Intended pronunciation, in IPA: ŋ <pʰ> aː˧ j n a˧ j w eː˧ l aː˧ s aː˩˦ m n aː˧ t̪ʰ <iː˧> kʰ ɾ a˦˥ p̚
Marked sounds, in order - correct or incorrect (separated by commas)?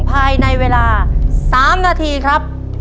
correct, correct